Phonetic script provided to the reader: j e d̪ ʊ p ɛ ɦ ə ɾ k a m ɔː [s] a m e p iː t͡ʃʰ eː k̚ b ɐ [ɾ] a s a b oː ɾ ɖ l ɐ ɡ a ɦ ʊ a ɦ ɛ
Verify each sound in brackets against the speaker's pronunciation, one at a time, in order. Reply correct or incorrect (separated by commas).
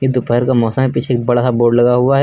correct, incorrect